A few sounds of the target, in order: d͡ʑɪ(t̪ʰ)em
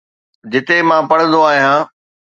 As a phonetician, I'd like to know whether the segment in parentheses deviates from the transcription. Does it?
yes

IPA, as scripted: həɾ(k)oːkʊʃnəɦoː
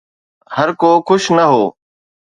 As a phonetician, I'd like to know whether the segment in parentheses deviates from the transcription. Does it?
no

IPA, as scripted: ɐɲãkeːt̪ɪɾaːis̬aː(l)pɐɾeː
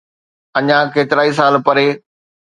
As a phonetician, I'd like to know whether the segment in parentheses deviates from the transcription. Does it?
no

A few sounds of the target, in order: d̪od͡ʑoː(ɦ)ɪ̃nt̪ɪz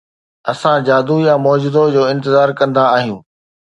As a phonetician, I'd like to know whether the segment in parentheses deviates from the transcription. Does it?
yes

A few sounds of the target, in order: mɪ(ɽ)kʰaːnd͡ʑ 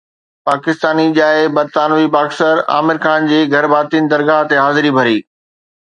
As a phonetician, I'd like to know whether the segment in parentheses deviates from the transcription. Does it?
yes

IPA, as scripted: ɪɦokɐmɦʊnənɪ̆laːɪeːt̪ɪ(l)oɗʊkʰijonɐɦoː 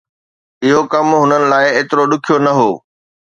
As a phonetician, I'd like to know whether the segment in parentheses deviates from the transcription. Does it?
yes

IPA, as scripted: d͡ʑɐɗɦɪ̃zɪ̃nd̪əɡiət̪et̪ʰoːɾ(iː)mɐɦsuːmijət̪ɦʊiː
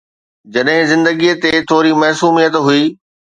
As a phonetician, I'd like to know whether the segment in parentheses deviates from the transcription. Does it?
yes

